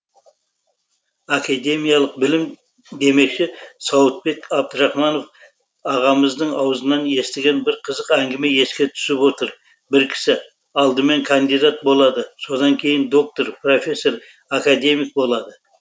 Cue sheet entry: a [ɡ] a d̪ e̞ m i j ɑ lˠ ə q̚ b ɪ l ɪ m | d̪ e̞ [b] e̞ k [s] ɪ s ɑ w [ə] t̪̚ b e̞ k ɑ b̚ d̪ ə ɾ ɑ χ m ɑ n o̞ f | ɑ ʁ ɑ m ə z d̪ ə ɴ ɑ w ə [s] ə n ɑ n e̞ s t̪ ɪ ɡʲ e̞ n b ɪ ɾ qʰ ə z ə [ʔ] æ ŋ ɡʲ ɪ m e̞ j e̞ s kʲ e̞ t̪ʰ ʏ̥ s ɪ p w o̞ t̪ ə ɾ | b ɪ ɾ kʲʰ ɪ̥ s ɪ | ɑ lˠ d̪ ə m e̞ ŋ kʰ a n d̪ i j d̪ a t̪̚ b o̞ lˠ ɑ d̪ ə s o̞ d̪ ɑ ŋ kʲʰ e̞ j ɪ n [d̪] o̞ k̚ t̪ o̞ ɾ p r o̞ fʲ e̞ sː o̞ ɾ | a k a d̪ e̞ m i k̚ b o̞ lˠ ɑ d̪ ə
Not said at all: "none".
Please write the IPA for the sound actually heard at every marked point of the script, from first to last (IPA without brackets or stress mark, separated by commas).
k, m, ʃ, ə, z, q, d̪